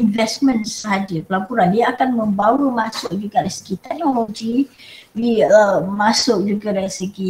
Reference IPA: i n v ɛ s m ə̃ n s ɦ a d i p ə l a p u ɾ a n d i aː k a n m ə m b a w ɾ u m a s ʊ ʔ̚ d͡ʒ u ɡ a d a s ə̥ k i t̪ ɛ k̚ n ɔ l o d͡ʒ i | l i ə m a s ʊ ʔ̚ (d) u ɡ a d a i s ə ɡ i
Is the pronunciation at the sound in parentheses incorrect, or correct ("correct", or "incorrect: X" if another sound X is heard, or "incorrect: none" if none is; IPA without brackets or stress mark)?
incorrect: d͡ʒ